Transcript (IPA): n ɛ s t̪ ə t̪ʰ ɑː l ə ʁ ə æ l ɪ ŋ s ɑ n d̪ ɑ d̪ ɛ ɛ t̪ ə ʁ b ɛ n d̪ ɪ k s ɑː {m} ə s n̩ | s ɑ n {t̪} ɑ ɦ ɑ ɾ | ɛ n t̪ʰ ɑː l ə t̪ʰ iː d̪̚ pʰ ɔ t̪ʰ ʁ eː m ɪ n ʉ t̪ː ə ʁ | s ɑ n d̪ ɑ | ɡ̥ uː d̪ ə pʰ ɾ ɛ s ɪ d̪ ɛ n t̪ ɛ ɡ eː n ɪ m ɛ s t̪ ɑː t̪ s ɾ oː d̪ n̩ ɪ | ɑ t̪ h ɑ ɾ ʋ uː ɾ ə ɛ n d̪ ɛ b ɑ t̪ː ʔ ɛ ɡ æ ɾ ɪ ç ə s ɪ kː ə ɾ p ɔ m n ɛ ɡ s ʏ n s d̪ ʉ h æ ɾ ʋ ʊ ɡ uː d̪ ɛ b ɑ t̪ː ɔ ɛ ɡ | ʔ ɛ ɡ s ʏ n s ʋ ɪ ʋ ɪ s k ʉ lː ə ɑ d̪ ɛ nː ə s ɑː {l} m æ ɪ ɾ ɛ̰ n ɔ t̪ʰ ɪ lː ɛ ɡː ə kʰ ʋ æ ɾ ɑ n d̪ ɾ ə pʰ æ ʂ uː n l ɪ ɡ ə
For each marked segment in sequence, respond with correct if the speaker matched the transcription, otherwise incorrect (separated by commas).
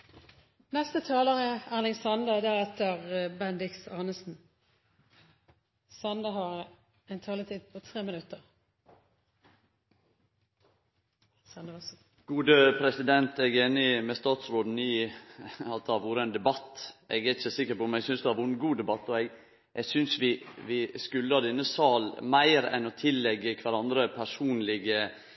incorrect, incorrect, correct